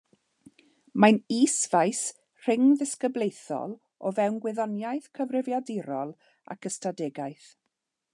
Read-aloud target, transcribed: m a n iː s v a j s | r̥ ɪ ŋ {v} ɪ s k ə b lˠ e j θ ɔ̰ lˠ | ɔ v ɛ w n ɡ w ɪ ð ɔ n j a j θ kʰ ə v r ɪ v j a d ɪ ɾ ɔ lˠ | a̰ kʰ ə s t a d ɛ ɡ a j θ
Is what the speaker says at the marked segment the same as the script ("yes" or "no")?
no